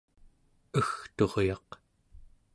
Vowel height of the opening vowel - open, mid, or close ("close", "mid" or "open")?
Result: mid